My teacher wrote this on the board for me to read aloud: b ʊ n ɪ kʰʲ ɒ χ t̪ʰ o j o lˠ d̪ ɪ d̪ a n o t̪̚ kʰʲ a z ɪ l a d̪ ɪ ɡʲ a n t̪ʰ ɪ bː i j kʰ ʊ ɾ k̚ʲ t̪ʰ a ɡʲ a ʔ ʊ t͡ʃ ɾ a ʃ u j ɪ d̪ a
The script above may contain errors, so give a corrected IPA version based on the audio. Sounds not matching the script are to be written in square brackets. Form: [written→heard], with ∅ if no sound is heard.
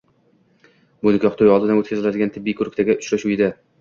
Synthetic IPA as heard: b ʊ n ɪ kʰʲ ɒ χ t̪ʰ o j [o→ɒ] lˠ d̪ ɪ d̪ a n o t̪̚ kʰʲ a z ɪ l a d̪ ɪ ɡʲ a n t̪ʰ ɪ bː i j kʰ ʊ ɾ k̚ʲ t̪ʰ a ɡʲ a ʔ ʊ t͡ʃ ɾ a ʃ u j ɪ d̪ a